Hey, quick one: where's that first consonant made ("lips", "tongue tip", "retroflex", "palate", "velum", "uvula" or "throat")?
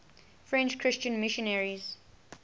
lips